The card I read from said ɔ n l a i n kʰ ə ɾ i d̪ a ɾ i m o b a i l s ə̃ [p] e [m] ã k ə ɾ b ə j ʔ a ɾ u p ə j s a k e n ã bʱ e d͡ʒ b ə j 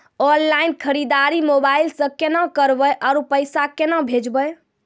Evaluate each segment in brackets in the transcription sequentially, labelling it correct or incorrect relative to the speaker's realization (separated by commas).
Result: incorrect, incorrect